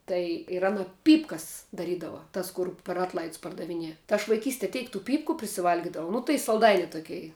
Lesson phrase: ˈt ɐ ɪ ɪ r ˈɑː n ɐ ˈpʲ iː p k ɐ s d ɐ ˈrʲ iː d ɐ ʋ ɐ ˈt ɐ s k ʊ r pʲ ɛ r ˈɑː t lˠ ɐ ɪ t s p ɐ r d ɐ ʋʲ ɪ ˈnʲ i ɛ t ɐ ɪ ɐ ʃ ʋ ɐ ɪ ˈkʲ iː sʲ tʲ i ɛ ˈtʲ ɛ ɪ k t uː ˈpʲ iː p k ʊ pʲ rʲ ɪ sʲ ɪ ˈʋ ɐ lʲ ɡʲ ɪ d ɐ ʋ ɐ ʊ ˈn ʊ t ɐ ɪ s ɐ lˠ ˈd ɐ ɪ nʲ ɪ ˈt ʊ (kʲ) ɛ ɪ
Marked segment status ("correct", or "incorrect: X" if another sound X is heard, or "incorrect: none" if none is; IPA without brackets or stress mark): correct